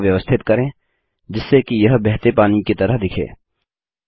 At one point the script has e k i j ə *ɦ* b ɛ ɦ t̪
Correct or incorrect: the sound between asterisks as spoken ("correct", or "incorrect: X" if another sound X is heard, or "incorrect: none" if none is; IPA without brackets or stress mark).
correct